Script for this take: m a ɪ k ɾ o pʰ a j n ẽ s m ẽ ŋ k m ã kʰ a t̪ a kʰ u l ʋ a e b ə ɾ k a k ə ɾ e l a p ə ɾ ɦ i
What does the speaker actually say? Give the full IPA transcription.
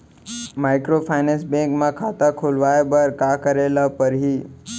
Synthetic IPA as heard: m a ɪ k ɾ o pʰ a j n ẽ s b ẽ ŋ k m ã kʰ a t̪ a kʰ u l ʋ a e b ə ɾ k a k ə ɾ e l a p ə ɾ ɦ i